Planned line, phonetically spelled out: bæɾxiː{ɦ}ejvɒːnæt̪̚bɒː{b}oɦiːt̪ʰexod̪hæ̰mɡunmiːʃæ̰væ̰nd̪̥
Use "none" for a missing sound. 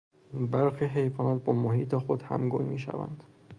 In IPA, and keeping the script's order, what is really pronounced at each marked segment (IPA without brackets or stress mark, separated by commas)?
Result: ɦ, m